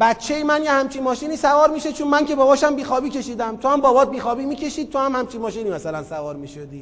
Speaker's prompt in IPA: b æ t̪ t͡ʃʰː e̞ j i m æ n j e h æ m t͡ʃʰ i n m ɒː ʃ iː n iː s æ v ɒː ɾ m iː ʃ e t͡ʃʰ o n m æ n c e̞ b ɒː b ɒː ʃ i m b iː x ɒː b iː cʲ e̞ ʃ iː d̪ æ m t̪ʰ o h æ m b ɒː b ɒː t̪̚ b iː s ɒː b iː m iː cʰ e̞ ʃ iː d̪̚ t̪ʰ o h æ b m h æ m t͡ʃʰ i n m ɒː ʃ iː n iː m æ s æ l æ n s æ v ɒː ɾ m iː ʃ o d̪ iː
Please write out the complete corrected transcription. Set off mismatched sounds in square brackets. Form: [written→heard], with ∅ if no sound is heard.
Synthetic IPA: b æ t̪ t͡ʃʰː e̞ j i m æ n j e h æ m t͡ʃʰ i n m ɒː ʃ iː n iː s æ v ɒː ɾ m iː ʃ e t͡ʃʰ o n m æ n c e̞ b ɒː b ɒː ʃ [i→æ] m b iː x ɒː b iː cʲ e̞ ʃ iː d̪ æ m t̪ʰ o h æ m b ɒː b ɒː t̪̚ b iː [s→x] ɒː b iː m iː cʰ e̞ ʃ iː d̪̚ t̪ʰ o h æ [b→∅] m h æ m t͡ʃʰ i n m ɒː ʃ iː n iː m æ s æ l æ n s æ v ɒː ɾ m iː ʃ o d̪ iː